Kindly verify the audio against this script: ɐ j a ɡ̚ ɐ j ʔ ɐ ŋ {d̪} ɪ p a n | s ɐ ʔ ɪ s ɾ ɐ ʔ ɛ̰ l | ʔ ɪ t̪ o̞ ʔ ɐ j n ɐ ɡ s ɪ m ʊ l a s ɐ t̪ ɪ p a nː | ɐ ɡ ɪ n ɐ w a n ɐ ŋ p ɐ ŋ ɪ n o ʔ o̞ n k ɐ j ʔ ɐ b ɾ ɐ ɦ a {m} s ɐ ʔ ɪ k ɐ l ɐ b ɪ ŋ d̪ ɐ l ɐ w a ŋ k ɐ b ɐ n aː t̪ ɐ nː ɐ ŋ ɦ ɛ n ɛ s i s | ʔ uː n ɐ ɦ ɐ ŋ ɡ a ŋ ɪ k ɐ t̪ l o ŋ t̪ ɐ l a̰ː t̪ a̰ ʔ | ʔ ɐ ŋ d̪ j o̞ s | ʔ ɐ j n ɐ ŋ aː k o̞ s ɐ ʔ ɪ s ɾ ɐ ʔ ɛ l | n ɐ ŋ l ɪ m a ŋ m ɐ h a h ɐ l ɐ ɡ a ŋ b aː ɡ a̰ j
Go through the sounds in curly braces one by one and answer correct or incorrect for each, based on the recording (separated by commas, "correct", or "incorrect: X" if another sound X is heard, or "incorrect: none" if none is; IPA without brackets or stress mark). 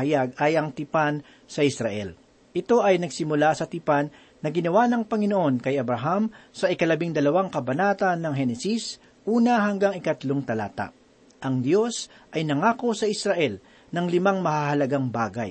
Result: incorrect: t̪, correct